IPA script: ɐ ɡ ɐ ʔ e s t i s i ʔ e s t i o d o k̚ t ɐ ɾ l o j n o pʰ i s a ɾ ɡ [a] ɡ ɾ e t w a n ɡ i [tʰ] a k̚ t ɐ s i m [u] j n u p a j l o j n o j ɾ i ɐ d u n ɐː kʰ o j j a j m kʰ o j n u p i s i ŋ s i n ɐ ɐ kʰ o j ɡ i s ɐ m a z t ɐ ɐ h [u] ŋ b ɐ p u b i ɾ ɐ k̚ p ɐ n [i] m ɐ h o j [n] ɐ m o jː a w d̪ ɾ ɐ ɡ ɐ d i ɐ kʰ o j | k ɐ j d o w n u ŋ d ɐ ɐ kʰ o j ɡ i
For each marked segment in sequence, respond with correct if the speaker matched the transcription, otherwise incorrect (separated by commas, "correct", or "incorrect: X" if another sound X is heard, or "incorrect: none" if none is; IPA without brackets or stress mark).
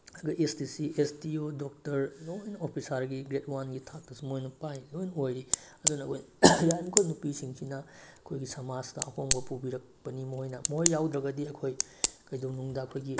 incorrect: i, correct, incorrect: o, incorrect: o, correct, correct